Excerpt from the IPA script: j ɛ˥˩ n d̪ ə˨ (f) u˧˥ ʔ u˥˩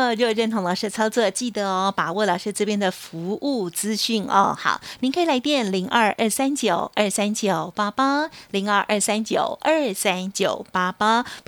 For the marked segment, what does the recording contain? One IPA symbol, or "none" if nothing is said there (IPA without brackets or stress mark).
f